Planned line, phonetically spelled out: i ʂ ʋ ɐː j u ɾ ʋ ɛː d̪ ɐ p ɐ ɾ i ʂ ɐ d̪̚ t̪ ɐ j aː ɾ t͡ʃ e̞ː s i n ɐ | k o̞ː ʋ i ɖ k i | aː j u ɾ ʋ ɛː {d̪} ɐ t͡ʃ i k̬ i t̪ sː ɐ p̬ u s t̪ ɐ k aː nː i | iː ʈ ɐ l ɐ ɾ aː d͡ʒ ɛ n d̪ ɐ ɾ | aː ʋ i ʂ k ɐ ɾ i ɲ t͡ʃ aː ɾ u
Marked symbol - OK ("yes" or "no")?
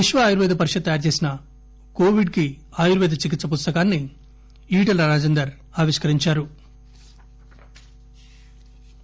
yes